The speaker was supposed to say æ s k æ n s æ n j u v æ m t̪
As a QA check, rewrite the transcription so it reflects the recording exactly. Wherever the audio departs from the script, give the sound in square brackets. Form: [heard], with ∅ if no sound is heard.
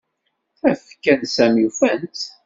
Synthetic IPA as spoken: æ [f] k æ n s æ [m] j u [f] æ [n] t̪